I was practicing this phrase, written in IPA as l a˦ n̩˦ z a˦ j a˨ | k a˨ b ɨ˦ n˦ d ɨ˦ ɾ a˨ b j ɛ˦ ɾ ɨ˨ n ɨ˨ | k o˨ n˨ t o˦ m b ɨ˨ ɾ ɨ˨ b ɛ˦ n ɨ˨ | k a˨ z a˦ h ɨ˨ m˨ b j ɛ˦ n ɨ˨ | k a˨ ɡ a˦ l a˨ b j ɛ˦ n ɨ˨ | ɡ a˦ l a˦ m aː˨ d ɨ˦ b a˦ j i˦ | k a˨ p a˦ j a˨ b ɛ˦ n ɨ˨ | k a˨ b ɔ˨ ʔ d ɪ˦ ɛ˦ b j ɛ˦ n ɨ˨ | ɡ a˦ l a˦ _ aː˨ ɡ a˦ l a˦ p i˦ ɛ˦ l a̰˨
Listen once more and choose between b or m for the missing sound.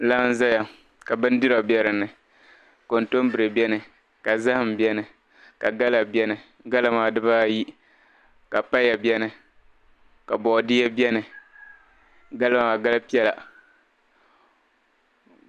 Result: m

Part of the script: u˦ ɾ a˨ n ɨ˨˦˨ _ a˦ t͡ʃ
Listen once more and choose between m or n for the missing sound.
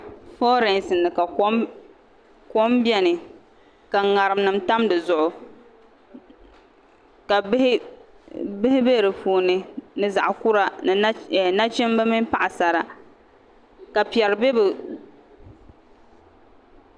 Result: n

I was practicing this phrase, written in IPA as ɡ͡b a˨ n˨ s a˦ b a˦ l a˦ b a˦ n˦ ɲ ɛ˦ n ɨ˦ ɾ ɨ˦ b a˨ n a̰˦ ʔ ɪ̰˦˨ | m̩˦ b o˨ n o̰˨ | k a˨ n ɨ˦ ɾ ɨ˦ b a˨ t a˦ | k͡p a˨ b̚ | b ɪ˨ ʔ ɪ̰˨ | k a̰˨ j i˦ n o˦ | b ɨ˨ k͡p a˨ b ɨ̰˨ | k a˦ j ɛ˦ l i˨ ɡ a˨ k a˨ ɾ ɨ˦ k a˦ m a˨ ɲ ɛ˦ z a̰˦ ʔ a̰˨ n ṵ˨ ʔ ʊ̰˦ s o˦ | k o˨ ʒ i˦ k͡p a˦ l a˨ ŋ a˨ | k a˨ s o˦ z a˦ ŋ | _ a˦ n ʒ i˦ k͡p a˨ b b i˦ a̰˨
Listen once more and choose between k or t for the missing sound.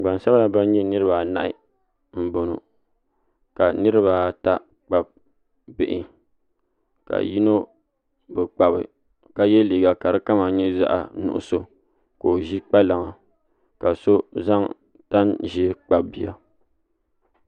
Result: t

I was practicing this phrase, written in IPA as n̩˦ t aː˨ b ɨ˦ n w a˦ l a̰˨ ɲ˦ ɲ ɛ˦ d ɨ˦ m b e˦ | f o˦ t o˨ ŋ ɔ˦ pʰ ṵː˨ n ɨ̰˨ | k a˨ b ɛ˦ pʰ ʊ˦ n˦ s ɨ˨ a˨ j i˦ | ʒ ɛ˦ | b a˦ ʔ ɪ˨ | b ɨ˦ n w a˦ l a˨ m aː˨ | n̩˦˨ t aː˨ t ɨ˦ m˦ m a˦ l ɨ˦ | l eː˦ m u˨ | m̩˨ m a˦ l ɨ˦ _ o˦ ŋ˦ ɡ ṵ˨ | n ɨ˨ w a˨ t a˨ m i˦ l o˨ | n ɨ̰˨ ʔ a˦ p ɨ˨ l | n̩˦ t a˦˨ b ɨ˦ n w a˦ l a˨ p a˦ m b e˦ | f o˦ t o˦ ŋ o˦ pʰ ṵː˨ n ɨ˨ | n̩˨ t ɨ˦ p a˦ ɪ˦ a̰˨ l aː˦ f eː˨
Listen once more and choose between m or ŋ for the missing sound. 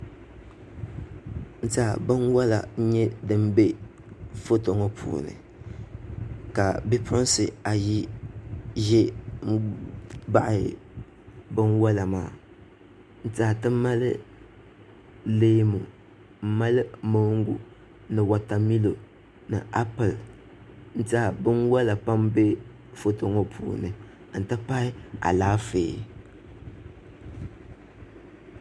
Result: m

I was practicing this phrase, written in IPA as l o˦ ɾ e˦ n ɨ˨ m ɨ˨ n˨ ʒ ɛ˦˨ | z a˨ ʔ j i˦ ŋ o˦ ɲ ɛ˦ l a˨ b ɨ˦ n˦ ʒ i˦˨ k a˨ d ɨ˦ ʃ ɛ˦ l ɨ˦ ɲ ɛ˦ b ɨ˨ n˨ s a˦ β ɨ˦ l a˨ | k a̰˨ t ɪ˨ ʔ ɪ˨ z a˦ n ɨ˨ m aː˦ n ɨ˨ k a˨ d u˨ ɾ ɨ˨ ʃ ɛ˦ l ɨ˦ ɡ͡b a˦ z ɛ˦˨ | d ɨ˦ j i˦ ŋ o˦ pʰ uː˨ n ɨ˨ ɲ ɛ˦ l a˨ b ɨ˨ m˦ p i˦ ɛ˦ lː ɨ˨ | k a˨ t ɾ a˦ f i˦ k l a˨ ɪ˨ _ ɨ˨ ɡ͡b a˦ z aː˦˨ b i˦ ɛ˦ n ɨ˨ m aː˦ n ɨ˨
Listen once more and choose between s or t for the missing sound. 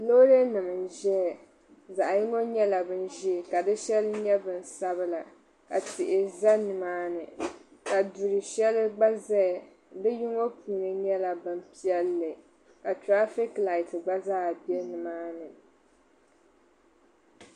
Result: t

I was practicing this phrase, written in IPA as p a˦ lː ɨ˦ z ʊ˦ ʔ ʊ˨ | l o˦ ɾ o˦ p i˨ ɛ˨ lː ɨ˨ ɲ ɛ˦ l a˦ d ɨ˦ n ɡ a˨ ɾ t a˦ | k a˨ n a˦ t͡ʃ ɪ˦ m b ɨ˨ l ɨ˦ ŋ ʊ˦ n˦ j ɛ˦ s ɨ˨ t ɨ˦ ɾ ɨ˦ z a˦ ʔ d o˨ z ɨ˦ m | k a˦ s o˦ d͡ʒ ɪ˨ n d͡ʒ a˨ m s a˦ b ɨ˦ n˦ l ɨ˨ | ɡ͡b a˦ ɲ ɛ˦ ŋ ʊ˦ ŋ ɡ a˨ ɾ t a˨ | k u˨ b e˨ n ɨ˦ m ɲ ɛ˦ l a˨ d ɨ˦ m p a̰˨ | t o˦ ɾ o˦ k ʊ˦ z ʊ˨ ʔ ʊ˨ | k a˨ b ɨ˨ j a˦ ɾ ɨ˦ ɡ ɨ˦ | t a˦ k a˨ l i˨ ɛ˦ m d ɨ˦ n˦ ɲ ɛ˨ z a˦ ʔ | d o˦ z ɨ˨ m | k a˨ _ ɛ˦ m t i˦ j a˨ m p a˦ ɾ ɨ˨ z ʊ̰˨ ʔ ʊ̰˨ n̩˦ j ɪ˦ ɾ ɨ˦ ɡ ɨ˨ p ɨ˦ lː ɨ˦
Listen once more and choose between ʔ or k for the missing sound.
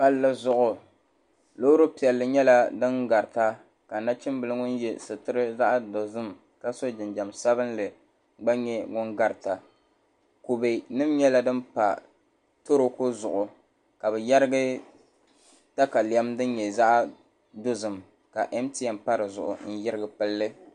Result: ʔ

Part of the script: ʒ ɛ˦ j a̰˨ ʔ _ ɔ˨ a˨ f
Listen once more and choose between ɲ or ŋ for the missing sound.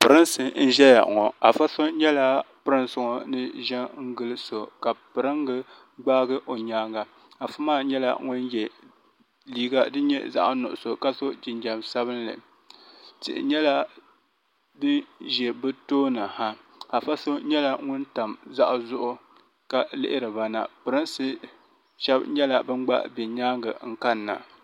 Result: ŋ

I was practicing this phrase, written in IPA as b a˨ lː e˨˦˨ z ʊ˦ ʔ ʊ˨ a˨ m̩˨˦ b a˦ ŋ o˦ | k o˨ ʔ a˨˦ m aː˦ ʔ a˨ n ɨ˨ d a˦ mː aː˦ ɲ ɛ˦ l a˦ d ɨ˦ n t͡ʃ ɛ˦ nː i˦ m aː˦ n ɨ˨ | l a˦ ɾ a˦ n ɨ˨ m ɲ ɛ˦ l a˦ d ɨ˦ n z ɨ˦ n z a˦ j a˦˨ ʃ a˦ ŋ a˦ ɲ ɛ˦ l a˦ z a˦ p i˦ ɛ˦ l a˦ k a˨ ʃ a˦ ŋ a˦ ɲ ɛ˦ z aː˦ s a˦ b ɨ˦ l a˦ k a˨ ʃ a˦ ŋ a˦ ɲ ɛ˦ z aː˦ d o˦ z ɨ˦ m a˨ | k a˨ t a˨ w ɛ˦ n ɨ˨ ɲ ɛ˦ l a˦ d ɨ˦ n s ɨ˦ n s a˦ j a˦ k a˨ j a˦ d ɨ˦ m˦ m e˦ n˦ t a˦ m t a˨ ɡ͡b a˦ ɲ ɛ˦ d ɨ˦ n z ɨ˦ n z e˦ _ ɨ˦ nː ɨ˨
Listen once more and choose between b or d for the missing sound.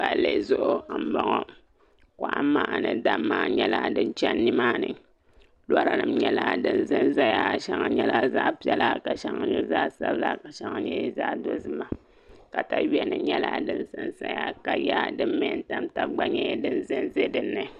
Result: d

